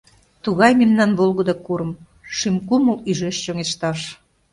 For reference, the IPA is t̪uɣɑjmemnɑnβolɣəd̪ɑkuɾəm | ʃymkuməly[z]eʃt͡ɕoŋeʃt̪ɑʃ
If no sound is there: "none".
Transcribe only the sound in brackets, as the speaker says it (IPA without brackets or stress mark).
ʒ